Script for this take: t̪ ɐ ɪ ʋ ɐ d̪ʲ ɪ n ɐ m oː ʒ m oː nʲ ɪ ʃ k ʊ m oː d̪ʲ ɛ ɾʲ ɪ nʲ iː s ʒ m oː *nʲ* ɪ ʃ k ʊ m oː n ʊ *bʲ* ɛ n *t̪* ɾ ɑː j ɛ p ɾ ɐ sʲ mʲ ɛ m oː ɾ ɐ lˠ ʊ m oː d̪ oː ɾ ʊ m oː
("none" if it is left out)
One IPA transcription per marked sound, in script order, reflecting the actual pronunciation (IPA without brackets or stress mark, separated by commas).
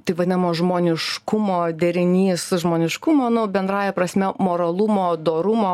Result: nʲ, bʲ, d̪